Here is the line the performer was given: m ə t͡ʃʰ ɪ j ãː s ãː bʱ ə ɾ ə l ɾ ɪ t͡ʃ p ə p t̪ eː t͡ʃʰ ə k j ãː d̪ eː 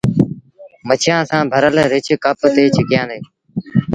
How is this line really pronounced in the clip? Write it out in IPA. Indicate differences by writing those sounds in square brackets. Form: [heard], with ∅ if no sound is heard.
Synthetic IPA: m ə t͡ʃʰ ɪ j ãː s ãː bʱ ə ɾ ə l ɾ ɪ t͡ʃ [k] ə p t̪ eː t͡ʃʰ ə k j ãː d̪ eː